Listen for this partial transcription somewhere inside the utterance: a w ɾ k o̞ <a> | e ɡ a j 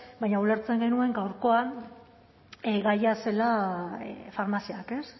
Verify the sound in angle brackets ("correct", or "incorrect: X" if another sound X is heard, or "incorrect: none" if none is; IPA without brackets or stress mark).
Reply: correct